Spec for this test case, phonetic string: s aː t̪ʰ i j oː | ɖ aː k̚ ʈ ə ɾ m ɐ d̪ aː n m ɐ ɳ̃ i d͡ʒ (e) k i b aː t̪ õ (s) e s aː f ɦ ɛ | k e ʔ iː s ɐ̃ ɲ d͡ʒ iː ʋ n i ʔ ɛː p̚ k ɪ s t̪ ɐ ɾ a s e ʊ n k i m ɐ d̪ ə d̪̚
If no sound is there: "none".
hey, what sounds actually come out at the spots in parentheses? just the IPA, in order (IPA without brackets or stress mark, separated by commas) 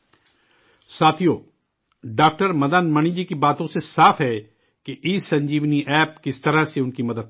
i, s